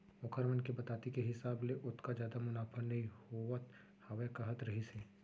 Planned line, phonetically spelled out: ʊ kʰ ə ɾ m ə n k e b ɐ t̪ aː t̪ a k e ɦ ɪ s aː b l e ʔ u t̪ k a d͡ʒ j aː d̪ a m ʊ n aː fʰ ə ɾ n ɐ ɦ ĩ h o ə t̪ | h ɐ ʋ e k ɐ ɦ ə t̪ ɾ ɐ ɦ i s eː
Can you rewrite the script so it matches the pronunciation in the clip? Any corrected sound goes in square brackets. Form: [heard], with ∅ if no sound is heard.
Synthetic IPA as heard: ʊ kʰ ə ɾ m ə n k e b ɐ t̪ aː t̪ [i] k e ɦ ɪ s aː b l e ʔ [ʊ] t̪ k a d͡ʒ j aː d̪ a m ʊ n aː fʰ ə ɾ n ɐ ɦ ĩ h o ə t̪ | h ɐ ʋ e k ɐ ɦ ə t̪ ɾ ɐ ɦ i s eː

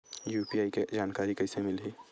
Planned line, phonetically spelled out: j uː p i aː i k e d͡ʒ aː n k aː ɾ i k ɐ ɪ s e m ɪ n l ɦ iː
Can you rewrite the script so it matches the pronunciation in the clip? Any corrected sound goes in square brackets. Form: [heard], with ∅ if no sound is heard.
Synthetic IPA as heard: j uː p i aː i k e d͡ʒ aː n k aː ɾ i k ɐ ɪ s e m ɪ [∅] l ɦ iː

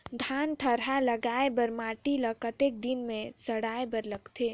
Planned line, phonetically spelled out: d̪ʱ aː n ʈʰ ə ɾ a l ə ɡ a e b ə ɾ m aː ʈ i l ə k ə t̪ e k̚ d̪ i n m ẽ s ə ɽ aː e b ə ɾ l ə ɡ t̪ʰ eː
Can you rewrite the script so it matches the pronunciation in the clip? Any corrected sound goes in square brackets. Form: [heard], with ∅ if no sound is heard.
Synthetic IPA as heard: d̪ʱ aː n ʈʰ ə ɾ a l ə ɡ a e b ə ɾ m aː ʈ i l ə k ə t̪ e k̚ d̪ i n m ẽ s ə ɽ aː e b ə ɾ l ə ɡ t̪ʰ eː

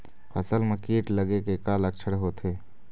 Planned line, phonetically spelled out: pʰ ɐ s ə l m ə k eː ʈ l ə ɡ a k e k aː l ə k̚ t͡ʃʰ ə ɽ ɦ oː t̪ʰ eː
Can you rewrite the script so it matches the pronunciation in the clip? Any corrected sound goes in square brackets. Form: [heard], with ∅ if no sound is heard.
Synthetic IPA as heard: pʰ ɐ s ə l m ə k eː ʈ l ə ɡ [e] k e k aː l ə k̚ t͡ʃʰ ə ɽ ɦ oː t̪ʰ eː

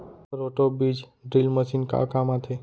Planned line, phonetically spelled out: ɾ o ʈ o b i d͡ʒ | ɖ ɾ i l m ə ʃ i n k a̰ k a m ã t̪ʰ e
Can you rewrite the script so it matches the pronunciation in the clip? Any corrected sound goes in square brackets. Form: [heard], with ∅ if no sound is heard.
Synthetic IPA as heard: ɾ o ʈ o b i d͡ʒ | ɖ ɾ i l m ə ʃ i n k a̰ k a m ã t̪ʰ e

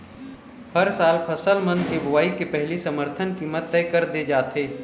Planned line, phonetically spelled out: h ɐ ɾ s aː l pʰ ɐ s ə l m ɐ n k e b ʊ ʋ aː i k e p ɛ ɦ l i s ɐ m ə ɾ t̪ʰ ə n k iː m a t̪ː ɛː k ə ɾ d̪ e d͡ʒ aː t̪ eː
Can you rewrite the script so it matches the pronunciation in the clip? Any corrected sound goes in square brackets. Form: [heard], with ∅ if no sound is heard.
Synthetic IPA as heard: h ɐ ɾ s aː l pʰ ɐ s ə l m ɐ n k e b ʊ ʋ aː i k e p ɛ ɦ l i s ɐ m ə ɾ t̪ʰ ə n k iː m [ə] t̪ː ɛː k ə ɾ d̪ e d͡ʒ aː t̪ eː

